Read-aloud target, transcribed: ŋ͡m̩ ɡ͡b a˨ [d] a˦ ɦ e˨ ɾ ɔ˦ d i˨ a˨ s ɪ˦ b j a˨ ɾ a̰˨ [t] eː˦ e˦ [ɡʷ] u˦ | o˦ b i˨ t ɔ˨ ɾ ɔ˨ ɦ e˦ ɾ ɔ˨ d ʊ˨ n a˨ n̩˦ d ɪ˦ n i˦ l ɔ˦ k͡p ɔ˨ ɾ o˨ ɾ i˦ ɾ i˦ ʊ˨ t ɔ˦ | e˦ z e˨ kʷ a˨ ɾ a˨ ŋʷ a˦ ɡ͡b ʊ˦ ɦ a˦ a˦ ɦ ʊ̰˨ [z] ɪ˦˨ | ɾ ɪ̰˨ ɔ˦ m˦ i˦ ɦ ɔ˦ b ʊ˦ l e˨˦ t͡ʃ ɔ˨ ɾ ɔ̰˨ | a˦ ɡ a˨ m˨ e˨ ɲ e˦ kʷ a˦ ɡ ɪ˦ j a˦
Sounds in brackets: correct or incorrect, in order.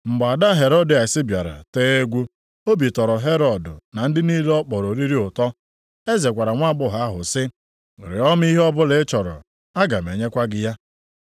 correct, correct, correct, incorrect

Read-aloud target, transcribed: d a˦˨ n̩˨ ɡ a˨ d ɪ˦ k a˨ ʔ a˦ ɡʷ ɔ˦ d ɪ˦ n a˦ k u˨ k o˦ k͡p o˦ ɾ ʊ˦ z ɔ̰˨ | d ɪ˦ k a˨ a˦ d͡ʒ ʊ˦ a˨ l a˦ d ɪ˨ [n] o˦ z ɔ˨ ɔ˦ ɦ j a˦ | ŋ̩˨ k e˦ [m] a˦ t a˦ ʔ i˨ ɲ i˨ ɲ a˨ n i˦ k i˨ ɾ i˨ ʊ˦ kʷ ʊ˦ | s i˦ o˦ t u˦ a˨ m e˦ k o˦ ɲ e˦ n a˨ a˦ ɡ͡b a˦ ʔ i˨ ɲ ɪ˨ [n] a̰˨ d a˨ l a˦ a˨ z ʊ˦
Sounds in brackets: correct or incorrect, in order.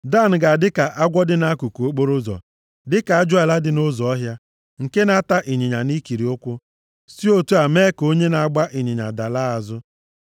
correct, incorrect, incorrect

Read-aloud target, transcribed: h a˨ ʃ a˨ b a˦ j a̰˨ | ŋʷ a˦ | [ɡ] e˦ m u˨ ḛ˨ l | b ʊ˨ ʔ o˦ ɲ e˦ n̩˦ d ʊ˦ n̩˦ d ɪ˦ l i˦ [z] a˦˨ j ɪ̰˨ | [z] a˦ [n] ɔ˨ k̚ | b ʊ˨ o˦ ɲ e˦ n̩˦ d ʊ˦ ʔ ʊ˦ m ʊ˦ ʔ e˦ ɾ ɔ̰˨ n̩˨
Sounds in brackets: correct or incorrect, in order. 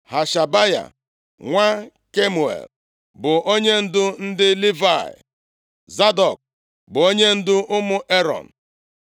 incorrect, incorrect, correct, incorrect

